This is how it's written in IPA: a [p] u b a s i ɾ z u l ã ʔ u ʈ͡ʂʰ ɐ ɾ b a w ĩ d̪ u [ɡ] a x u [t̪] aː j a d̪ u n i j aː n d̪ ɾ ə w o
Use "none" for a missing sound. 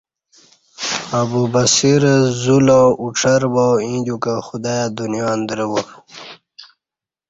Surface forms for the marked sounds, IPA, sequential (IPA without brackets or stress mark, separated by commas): b, k, d̪